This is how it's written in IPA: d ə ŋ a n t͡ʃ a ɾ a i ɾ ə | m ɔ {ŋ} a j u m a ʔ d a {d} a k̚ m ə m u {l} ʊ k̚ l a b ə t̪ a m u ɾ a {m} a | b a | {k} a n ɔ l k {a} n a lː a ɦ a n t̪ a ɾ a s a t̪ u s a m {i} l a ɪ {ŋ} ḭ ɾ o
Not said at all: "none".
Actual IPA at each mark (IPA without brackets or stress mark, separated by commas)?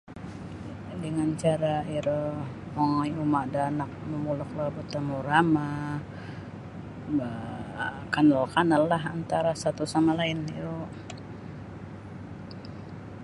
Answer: ŋ, n, l, m, k, a, a, n